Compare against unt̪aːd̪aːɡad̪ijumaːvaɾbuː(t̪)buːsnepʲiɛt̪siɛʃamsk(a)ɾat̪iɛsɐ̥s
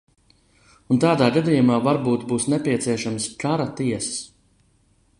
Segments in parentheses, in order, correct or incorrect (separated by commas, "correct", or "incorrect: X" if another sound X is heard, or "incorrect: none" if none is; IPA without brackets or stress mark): correct, correct